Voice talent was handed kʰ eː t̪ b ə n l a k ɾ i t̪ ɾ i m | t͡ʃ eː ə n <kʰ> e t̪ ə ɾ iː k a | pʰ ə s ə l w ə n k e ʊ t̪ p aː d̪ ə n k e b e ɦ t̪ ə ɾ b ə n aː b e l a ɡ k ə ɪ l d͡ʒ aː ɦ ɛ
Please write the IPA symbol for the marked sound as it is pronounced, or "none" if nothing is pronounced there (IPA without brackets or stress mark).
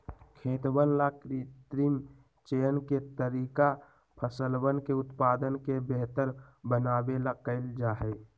k